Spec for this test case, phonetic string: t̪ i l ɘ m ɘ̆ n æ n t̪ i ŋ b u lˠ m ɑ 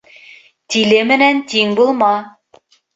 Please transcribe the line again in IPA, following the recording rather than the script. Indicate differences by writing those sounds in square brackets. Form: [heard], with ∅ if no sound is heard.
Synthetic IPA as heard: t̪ i l ɘ m ɘ̆ n æ n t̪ i ŋ b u lˠ m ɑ